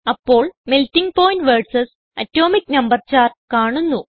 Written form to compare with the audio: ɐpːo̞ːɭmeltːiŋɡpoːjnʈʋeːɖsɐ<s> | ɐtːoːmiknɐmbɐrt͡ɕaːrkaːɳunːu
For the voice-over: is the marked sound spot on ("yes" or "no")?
yes